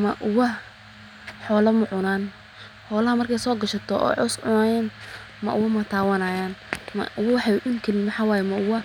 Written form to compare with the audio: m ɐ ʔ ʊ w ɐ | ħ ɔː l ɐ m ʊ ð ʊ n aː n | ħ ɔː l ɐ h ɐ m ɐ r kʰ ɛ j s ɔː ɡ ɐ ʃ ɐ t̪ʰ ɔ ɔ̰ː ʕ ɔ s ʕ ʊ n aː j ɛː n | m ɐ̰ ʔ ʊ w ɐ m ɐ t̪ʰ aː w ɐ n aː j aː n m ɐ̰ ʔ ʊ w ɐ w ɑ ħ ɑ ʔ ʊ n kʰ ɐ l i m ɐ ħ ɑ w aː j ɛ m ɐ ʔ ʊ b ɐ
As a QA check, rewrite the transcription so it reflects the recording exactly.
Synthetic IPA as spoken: m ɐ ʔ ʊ w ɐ | ħ ɔː l ɐ m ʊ ʕ ʊ n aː n | ħ ɔː l ɐ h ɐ m ɐ r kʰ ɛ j s ɔː ɡ ɐ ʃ ɐ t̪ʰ ɔ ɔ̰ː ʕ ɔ s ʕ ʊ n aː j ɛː n | m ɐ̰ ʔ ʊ w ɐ m ɐ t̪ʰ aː w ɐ n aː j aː n m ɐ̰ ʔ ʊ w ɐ w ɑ ħ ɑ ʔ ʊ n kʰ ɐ l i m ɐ ħ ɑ w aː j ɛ m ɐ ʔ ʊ w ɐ